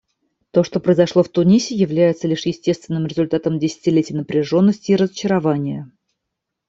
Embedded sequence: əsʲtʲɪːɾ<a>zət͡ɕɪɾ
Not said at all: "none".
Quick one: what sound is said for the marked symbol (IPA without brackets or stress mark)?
ə